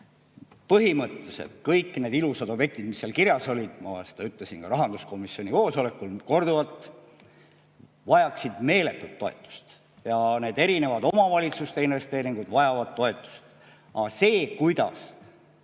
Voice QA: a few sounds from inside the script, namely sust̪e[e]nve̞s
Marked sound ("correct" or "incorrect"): incorrect